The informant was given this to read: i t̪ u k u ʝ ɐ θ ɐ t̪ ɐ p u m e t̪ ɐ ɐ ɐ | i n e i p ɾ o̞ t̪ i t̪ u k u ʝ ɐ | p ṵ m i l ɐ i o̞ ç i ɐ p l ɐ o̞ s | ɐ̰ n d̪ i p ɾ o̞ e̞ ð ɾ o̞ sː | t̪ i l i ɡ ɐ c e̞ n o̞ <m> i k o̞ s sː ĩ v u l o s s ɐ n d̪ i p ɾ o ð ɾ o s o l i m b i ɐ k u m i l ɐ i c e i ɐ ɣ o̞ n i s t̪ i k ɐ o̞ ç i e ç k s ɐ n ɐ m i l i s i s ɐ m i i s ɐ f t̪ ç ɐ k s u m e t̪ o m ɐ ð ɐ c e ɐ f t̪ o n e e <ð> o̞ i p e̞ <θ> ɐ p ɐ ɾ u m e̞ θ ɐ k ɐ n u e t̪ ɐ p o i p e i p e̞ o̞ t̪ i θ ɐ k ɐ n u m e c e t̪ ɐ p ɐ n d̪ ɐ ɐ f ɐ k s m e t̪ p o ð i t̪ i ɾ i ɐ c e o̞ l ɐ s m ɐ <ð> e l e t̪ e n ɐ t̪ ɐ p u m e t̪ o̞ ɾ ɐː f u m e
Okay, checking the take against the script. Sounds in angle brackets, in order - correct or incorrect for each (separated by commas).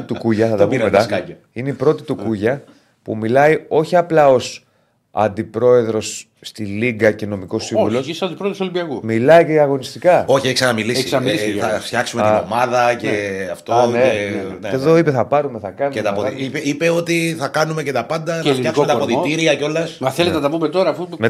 correct, correct, correct, incorrect